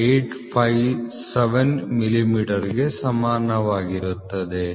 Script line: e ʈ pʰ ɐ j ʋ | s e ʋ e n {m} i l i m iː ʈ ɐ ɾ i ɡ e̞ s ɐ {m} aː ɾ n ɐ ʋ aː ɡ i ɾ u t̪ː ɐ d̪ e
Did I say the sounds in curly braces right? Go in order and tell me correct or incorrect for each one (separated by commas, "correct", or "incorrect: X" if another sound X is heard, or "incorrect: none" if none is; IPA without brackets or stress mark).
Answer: correct, correct